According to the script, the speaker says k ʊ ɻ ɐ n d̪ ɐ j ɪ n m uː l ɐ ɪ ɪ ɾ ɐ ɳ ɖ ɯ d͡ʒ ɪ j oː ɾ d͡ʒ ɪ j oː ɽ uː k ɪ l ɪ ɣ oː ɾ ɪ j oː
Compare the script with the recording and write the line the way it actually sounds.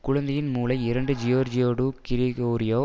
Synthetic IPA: k ʊ ɻ ɐ n d̪ ɐ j ɪ n m uː l ɐ ɪ ɪ ɾ ɐ ɳ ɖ ɯ d͡ʒ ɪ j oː ɾ d͡ʒ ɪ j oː ɽ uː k ɪ ɾ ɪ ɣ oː ɾ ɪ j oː